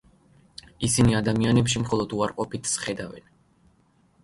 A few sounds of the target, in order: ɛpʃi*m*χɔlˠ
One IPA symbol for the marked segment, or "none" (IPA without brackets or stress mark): m